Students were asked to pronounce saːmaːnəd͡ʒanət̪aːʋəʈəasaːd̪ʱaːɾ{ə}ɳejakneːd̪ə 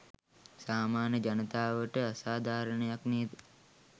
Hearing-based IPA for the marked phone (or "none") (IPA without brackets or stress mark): ə